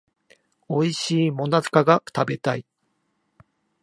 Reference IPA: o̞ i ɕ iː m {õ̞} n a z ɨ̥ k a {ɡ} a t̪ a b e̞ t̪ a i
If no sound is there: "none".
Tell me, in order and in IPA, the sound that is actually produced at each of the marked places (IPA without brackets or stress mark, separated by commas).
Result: o̞, ɡ